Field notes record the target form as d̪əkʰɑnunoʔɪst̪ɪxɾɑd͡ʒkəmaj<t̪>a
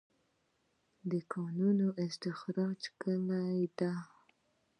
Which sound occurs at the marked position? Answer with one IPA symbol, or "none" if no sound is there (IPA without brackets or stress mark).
d̪